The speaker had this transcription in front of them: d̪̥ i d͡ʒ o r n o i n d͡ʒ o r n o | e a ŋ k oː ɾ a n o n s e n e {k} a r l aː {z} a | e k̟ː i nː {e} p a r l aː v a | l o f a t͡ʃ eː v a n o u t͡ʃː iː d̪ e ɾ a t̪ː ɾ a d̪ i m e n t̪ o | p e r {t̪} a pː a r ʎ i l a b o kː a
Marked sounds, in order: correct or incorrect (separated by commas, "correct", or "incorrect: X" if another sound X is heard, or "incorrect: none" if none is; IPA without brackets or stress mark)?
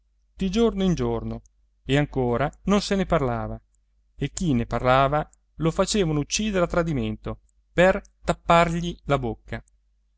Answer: incorrect: p, incorrect: v, correct, correct